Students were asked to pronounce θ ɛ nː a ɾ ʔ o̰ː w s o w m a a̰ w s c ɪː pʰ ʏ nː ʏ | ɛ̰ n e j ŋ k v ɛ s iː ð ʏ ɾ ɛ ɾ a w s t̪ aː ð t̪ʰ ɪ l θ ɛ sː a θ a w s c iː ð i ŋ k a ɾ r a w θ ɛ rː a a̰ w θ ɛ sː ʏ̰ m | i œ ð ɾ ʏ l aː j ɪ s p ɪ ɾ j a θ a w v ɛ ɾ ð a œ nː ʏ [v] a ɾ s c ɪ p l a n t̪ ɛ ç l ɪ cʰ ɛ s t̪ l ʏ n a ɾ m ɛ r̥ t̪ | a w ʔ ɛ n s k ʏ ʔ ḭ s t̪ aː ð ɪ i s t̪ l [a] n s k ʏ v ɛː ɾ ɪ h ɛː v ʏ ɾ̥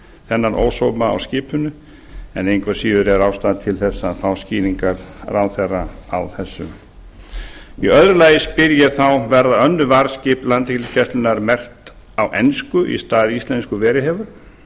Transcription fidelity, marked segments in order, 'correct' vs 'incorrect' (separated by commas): correct, incorrect